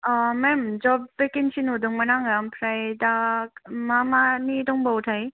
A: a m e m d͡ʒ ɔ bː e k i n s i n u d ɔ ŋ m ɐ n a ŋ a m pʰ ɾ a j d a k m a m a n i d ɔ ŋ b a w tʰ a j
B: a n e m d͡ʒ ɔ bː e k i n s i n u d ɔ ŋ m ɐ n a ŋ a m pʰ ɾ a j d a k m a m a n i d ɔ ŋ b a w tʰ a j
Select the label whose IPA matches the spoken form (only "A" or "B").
A